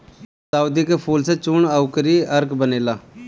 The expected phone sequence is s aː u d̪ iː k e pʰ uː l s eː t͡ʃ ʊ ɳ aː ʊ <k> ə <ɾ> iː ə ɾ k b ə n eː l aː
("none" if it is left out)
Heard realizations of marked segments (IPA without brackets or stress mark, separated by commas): k, ɾ